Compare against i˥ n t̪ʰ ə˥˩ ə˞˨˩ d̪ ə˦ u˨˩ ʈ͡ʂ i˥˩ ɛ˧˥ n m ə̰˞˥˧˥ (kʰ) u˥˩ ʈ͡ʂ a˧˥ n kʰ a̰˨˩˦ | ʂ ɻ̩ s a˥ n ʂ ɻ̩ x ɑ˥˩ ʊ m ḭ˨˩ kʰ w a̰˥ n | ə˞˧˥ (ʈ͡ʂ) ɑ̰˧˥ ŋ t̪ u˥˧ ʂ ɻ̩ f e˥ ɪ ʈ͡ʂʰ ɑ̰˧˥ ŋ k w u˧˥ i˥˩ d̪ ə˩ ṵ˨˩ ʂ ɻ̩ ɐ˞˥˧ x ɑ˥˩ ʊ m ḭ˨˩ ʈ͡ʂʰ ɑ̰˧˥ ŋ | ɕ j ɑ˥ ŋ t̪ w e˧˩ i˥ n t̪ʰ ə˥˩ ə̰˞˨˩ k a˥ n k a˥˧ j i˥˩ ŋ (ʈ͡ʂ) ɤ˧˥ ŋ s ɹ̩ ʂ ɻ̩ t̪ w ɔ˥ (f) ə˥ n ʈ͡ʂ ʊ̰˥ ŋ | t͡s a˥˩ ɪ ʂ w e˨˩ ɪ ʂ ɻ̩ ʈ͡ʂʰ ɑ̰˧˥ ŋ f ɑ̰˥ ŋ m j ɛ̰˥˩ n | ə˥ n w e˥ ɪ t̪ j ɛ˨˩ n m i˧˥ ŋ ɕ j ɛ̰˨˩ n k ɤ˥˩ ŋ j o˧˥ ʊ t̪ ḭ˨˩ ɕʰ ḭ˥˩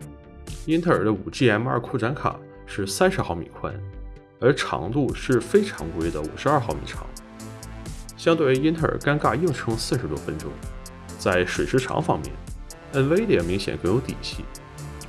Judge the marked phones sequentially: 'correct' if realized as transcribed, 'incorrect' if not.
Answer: correct, incorrect, incorrect, correct

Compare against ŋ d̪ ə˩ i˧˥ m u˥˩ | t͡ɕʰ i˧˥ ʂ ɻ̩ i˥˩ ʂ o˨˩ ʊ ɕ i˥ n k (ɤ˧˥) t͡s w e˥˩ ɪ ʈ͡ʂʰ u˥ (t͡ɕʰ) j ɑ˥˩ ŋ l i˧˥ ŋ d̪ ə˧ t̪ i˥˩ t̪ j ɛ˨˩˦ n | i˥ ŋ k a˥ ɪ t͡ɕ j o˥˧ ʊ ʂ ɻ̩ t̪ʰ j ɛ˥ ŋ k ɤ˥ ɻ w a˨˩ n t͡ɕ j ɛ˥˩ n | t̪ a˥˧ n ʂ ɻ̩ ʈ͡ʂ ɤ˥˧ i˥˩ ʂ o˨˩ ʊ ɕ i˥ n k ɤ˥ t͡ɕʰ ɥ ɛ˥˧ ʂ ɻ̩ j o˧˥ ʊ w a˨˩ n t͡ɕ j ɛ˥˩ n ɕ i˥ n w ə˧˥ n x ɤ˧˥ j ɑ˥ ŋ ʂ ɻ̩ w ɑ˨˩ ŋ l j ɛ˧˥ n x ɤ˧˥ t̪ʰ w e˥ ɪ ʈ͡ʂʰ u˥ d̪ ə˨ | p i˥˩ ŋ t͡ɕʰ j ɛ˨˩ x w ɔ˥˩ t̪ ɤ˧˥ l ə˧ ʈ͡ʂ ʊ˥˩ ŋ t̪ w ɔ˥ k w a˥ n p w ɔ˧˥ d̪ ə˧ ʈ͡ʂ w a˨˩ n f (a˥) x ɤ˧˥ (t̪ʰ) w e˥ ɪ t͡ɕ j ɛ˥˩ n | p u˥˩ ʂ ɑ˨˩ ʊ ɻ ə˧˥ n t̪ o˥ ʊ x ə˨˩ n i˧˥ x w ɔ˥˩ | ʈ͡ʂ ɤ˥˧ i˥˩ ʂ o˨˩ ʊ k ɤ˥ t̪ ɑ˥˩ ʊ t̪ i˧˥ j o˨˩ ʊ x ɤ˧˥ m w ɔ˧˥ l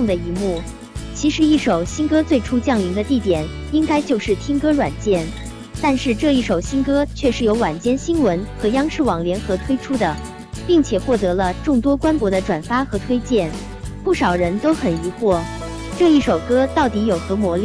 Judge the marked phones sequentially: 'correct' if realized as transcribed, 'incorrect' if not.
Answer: incorrect, incorrect, correct, correct

